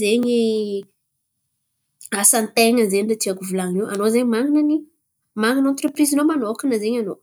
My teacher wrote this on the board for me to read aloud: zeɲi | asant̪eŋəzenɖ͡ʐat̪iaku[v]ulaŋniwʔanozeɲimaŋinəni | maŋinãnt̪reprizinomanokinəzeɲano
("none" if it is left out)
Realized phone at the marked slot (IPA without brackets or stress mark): v